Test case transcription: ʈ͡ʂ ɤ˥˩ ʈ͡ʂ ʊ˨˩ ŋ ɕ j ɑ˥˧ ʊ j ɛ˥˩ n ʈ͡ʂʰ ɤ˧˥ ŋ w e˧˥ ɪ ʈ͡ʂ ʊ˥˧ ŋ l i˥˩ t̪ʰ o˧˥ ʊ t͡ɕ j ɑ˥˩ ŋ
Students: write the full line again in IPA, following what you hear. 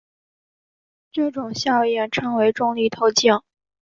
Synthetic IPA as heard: ʈ͡ʂ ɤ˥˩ ʈ͡ʂ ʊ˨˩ ŋ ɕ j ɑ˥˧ ʊ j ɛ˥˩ n ʈ͡ʂʰ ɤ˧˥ ŋ w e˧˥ ɪ ʈ͡ʂ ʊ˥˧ ŋ l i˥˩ t̪ʰ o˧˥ ʊ t͡ɕ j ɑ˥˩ ŋ